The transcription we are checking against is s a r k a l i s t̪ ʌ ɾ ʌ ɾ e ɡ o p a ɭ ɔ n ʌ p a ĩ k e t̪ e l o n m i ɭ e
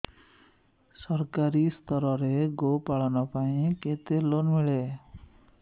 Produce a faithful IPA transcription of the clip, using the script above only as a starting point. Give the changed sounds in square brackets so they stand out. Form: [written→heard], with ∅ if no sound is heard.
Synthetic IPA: s [a→ʌ] r k a [l→ɾ] i s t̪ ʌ ɾ ʌ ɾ e ɡ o p a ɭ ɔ n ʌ p a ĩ k e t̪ e l o n m i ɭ e